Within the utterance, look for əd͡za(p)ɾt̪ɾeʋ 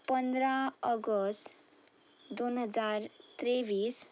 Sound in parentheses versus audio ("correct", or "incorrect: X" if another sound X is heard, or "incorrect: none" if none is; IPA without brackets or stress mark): incorrect: none